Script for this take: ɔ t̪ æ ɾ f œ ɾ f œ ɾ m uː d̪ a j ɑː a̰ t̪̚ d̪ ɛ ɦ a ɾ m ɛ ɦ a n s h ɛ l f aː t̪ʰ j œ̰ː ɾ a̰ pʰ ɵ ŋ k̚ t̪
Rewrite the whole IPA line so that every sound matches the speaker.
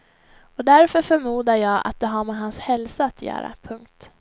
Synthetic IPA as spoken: ɔ d̪ æ ɾ f œ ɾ f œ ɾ m uː d̪ a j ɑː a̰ t̪̚ d̪ ɛ ɦ a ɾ m ɛ ɦ a n s h ɛ l s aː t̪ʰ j œ̰ː ɾ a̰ pʰ ɵ ŋ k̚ t̪